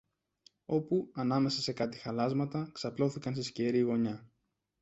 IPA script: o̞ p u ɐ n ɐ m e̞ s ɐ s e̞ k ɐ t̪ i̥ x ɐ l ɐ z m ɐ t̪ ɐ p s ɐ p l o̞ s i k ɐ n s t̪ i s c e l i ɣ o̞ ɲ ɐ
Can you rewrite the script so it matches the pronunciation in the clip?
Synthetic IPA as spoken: o̞ p u ɐ n ɐ m e̞ s ɐ s e̞ k ɐ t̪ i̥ x ɐ l ɐ z m ɐ t̪ ɐ k s ɐ p l o̞ θ i k ɐ n s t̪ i s c e ɾ i ɣ o̞ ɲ ɐ

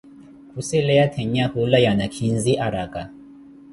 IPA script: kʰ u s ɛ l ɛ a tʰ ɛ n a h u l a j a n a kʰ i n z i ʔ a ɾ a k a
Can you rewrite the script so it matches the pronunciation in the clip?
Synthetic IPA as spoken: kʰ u s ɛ l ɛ a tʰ ɛ ɲ a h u l a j a n a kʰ i n z i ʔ a ɾ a k a

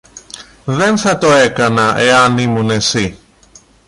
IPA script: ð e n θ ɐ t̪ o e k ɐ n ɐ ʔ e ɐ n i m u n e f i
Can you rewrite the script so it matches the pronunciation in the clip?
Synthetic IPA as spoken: ð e n θ ɐ t̪ o e k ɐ n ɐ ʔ e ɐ n i m u n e s i

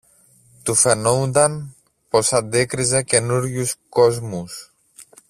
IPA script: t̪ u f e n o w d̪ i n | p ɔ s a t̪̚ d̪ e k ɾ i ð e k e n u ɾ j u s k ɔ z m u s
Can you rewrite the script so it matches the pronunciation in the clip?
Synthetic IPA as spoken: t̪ u f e n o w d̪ a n | p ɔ s a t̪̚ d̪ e k ɾ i z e k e n u ɾ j u s k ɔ z m u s

